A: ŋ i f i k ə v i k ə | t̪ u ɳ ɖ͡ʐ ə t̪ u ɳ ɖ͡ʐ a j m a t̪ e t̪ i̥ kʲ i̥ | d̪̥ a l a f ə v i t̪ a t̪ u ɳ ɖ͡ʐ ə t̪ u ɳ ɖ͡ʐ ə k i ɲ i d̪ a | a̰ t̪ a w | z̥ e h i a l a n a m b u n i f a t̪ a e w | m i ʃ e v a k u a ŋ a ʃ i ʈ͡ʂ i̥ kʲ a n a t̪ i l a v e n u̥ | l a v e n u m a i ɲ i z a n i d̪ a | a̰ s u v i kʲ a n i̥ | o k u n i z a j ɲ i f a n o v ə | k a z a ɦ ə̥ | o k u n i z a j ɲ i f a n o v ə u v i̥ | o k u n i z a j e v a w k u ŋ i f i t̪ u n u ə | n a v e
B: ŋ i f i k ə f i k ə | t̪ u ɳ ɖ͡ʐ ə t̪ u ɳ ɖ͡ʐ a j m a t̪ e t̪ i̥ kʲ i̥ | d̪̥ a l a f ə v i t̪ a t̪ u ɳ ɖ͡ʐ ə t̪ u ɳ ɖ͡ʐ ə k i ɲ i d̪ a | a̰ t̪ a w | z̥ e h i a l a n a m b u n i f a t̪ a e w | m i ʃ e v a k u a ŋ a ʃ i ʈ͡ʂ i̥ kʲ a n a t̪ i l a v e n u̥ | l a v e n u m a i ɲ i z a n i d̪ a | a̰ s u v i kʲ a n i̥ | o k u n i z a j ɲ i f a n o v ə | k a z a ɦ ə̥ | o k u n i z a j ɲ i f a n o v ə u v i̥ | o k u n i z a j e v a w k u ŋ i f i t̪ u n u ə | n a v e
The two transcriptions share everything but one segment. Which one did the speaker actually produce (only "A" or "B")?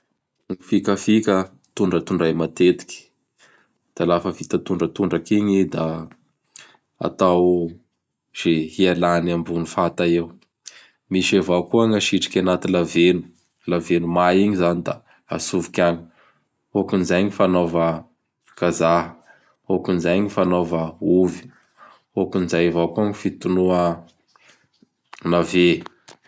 B